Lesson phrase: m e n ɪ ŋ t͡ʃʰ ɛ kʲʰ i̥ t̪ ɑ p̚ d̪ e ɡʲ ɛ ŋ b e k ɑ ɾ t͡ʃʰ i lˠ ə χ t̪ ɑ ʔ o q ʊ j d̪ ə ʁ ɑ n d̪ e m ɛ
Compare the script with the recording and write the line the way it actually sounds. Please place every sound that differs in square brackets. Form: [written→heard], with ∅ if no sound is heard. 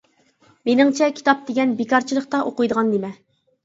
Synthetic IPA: m e n ɪ ŋ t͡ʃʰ ɛ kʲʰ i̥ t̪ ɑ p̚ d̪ e ɡʲ ɛ [ŋ→n] b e k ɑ ɾ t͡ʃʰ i lˠ ə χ t̪ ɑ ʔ o q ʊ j d̪ ə ʁ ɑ n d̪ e m ɛ